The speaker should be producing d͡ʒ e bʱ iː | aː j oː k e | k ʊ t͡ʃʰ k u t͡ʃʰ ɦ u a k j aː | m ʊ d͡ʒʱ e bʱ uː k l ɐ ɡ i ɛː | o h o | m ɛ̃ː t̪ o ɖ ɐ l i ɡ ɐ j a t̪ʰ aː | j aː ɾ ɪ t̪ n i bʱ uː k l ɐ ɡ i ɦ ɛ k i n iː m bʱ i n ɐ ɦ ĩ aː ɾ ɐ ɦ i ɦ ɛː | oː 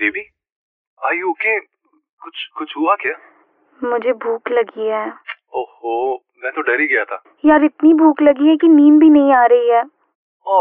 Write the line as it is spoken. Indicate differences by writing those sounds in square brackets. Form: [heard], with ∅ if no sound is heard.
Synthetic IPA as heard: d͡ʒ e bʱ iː | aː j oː k e | k ʊ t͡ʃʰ k [ʊ] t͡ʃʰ ɦ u a k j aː | m ʊ d͡ʒʱ e bʱ uː k l ɐ ɡ i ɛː | o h o | m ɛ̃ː t̪ o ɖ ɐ [ɾ] i ɡ ɐ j a t̪ʰ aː | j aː ɾ ɪ t̪ n i bʱ uː k l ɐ ɡ i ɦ ɛ k i n iː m bʱ i n ɐ ɦ ĩ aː ɾ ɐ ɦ i ɦ ɛː | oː